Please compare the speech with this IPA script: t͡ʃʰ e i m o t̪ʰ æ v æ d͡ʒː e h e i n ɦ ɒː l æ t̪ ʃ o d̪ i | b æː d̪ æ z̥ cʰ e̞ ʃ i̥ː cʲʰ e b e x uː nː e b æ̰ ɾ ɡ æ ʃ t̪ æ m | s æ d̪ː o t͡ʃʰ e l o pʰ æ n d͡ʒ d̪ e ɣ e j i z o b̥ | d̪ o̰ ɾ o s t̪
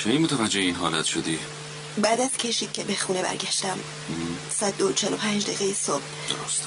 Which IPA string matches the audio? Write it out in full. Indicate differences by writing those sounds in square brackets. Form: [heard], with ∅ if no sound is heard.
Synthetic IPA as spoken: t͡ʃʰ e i m o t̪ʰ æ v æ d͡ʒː e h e i n ɦ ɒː l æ t̪ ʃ o d̪ i | b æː d̪ æ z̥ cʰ e̞ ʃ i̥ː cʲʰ e b e x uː [n] e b æ̰ ɾ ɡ æ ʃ t̪ æ m | s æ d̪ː o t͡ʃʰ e l o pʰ æ n d͡ʒ d̪ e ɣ e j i [s] o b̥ | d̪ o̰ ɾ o s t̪